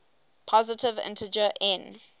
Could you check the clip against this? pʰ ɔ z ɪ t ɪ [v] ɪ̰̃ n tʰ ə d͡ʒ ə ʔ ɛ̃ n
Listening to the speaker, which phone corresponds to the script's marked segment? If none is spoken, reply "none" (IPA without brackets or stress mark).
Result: v